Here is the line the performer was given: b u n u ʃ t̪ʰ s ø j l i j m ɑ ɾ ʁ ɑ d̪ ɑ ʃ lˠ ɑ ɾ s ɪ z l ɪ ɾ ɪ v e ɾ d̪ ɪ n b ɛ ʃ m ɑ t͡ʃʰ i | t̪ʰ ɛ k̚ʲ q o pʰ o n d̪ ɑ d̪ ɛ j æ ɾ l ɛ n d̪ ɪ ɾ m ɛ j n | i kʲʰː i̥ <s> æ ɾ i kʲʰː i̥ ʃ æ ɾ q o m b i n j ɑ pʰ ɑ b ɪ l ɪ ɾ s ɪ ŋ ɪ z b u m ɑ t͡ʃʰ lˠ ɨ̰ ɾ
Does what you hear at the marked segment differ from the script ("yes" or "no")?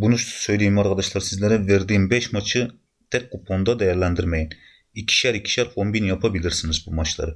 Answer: yes